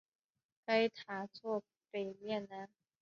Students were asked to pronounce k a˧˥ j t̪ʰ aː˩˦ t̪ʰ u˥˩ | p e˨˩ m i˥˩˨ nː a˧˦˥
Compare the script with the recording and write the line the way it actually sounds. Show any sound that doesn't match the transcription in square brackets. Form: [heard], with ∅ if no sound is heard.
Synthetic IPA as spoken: k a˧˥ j t̪ʰ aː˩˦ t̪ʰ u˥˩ | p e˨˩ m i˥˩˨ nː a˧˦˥